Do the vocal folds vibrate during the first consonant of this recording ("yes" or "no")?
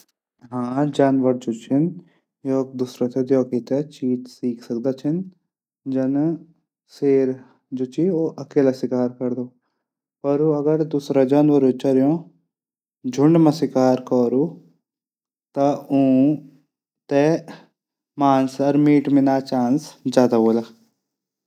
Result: yes